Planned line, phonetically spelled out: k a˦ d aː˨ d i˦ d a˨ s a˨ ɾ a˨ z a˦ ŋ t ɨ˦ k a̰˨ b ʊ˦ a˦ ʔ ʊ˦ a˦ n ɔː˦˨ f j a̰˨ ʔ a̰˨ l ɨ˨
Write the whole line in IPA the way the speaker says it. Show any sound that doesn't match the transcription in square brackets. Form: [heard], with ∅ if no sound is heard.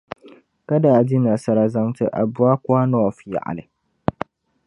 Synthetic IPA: k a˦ d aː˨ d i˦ [n] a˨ s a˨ ɾ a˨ z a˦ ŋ t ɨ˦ [ʔ] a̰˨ b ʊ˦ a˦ [k] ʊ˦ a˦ n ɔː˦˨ f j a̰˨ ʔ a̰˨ l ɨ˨